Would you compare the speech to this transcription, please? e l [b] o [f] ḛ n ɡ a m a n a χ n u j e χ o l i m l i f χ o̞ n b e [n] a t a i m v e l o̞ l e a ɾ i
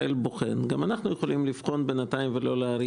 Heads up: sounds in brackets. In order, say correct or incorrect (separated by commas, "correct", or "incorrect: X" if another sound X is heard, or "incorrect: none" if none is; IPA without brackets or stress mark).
correct, incorrect: χ, correct